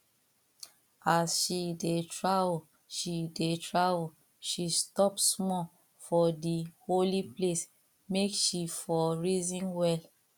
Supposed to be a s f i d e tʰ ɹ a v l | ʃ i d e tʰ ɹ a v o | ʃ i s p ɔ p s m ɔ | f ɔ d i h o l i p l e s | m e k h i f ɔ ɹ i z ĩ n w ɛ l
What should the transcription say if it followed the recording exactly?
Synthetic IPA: a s ʃ i d e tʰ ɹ a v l | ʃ i d e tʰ ɹ a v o | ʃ i s t ɔ p s m ɔ | f ɔ d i h o l i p l e s | m e k ʃ i f ɔ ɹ i z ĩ n w ɛ l